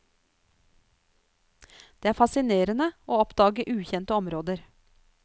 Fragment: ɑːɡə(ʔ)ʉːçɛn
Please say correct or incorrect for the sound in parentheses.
correct